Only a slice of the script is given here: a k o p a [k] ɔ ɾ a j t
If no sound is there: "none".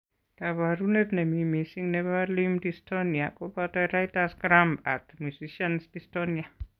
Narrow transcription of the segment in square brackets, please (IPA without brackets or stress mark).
t